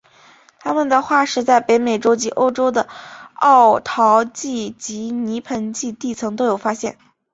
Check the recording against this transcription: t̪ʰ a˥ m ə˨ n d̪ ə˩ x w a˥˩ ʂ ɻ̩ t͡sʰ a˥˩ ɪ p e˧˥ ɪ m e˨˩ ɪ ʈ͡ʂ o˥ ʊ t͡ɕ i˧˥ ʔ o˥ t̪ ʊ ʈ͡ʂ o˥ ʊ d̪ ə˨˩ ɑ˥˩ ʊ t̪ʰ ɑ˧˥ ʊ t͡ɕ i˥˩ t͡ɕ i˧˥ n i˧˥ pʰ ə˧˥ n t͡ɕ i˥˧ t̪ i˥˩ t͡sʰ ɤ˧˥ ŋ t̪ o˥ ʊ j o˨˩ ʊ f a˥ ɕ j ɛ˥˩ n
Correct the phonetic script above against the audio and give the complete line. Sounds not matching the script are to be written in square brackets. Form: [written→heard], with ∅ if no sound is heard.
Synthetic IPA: t̪ʰ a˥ m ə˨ n d̪ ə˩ x w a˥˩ ʂ ɻ̩ [t͡sʰ→t͡s] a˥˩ ɪ p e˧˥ ɪ m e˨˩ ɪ ʈ͡ʂ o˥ ʊ t͡ɕ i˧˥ ʔ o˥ [t̪→∅] ʊ ʈ͡ʂ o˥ ʊ d̪ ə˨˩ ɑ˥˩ ʊ t̪ʰ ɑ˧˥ ʊ t͡ɕ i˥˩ t͡ɕ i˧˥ n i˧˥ pʰ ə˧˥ n t͡ɕ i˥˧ t̪ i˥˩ t͡sʰ ɤ˧˥ ŋ t̪ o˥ ʊ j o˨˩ ʊ f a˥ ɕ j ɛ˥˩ n